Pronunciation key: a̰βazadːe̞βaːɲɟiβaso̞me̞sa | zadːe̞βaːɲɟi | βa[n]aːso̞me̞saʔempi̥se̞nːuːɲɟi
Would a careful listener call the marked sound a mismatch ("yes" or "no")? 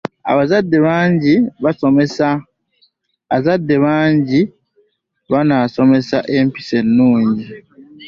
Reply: no